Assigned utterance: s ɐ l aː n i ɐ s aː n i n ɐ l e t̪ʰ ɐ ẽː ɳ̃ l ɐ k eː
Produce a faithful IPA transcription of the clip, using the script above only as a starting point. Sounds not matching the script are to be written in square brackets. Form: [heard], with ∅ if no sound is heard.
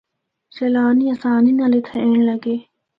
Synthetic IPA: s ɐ l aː n i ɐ s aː n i n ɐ l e t̪ʰ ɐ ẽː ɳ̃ l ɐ [ɡ] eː